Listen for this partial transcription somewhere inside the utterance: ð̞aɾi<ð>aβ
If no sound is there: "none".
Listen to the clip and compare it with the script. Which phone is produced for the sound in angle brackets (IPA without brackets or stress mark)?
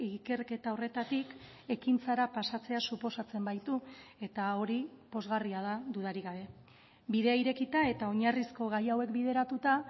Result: ɣ